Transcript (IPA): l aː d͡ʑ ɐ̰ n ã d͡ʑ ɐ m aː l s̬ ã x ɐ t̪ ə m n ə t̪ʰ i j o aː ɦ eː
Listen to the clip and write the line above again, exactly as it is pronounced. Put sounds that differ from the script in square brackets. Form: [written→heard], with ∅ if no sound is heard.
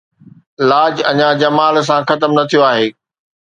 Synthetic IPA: l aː d͡ʑ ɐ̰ [n→ɲ] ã d͡ʑ ɐ m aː l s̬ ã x ɐ t̪ ə m n [ə→ɐ] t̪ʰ i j o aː ɦ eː